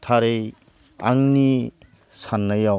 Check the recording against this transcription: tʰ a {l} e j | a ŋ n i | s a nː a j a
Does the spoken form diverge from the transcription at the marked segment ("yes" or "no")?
yes